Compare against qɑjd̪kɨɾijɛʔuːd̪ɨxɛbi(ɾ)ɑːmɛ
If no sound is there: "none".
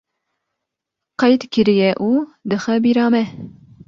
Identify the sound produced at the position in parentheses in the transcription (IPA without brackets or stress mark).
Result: ɾ